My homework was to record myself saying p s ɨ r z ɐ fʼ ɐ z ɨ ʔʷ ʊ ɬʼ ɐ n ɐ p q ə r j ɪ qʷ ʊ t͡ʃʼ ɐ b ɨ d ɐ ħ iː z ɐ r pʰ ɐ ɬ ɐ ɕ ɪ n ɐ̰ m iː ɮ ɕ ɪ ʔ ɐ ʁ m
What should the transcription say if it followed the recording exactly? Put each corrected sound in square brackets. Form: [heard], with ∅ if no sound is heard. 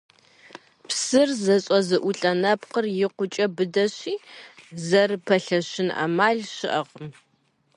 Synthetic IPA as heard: p s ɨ r z ɐ [ɕʼ] ɐ z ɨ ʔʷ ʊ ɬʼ ɐ n ɐ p q ə r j ɪ qʷ ʊ t͡ʃʼ ɐ b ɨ d ɐ [ɕ] iː z ɐ r pʰ ɐ ɬ ɐ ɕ ɪ n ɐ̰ m [aː] ɮ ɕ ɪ ʔ ɐ ʁ m